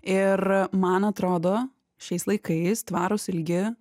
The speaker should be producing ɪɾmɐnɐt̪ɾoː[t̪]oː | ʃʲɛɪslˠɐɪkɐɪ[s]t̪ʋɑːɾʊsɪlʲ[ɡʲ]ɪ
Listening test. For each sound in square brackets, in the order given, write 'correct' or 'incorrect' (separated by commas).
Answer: incorrect, correct, correct